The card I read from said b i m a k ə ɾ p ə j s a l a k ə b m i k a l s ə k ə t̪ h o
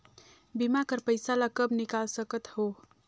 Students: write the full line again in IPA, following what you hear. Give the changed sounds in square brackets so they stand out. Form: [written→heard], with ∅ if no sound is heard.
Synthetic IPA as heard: b i m a k ə ɾ p ə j s a l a k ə b [m→n] i k a l s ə k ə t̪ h o